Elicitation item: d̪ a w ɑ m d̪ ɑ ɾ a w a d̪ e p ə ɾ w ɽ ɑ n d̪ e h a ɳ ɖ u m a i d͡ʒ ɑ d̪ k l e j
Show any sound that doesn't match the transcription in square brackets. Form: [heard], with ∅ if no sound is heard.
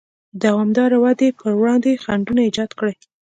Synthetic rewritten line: d̪ a w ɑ m d̪ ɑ ɾ a w a d̪ e p ə ɾ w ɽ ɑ n d̪ e [x] a ɳ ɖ u [n] a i d͡ʒ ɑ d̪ k [ɽ] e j